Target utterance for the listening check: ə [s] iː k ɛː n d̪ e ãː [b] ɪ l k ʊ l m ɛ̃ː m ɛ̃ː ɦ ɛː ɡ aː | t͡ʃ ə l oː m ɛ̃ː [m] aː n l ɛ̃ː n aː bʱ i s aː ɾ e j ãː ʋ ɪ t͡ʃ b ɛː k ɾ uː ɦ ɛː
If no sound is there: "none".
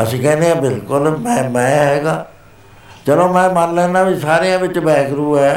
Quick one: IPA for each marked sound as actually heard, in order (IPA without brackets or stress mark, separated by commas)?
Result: s, b, m